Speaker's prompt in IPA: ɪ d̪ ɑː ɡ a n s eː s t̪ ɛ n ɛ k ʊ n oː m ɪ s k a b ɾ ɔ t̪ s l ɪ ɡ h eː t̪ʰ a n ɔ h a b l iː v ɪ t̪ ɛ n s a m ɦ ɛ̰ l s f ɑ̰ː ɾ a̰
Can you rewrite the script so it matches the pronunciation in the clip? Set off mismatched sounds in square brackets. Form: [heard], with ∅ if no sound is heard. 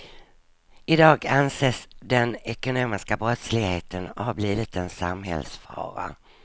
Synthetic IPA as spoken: ɪ d̪ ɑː ɡ a n s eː s [d̪] ɛ n ɛ k ʊ n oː m ɪ s k a b ɾ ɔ t̪ s l ɪ ɡ h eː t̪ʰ [ə] n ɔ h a b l iː v ɪ t̪ ɛ n s a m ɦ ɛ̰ l s f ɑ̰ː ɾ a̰

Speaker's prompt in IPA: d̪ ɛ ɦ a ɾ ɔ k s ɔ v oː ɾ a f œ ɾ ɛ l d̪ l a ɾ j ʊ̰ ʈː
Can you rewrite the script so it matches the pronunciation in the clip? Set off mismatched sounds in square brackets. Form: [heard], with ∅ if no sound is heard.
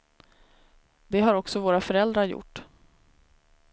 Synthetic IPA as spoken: d̪ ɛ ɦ a ɾ ɔ k s ɔ v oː ɾ a f œ ɾ ɛ l d̪ [ɾ] a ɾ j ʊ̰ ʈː

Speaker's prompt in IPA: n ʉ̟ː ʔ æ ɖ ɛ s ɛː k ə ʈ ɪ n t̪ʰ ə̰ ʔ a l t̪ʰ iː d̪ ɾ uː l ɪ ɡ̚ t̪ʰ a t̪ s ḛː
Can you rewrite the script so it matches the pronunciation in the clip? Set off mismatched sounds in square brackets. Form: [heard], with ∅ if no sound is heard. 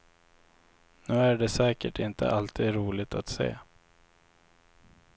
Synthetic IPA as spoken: n ʉ̟ː [∅] æ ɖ ɛ s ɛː k ə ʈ ɪ n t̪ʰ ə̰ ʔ a l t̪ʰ iː d̪ ɾ uː l ɪ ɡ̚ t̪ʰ a t̪ s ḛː

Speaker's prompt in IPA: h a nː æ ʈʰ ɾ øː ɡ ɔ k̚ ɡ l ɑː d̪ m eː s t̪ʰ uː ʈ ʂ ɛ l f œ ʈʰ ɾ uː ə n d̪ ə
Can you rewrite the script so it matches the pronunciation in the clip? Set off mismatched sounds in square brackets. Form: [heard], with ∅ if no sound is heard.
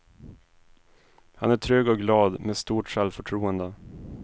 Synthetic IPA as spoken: h a [n] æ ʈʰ ɾ øː ɡ ɔ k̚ ɡ l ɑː d̪ m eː s [t̪] uː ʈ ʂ ɛ l f œ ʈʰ ɾ uː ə n d̪ ə

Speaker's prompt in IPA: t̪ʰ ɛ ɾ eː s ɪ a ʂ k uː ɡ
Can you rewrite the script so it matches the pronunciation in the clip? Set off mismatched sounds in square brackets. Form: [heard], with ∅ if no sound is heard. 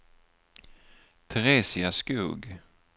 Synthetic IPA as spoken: t̪ʰ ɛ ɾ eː s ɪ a [s] k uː ɡ

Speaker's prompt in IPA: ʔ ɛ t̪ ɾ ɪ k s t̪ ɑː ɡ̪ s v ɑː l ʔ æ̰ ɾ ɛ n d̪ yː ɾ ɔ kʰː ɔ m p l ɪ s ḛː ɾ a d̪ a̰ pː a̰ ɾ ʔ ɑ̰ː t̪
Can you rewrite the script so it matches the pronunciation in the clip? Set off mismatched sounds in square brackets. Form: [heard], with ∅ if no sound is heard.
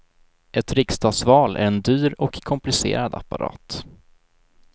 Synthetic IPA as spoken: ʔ ɛ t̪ ɾ ɪ k s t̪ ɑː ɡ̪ s v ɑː l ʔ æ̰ ɾ ɛ n d̪ yː ɾ ɔ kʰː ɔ m p l ɪ s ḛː ɾ a d̪ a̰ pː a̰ ɾ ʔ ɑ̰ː t̪

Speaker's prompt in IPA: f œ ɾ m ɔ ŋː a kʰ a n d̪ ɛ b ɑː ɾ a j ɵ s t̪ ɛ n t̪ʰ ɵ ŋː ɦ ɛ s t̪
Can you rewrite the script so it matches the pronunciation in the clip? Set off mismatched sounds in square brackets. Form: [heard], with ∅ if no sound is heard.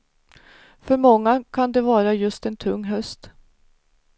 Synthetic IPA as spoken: f œ ɾ m ɔ ŋː a kʰ a n d̪ ɛ [v] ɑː ɾ a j ɵ s t̪ ɛ n t̪ʰ ɵ ŋː ɦ [œ] s t̪

